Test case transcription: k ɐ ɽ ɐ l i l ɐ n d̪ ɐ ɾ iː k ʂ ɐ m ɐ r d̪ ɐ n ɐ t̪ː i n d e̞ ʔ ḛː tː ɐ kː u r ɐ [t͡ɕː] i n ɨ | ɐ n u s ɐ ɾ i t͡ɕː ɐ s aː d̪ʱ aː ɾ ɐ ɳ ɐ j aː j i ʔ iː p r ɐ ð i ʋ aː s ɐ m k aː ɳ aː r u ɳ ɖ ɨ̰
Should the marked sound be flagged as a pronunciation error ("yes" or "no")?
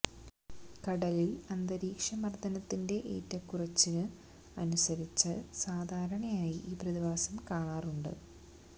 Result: no